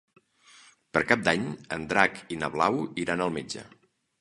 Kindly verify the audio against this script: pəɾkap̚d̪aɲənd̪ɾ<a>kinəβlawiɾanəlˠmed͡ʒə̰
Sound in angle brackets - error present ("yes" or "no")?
no